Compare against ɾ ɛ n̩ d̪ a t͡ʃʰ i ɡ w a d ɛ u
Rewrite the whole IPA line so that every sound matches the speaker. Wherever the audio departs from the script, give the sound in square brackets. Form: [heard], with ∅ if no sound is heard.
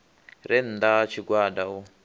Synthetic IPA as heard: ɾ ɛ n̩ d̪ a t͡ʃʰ i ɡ w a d [a] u